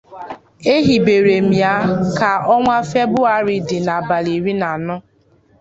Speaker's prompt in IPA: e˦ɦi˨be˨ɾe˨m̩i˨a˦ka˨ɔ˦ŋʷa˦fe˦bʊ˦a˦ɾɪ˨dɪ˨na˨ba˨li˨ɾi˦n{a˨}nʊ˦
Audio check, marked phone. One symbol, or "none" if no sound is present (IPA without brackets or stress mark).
a˨